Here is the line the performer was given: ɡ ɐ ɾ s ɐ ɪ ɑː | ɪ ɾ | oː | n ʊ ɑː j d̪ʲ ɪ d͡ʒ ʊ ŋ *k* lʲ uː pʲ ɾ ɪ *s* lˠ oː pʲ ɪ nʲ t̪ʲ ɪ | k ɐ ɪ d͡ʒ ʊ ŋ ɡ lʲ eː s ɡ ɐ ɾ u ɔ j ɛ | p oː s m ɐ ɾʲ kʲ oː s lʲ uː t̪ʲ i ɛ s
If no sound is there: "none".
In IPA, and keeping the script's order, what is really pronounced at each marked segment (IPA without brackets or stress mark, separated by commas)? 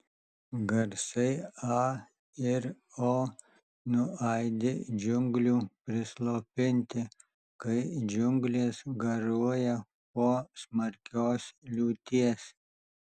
ɡ, s